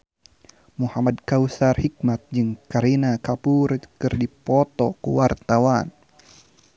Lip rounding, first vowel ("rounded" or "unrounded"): rounded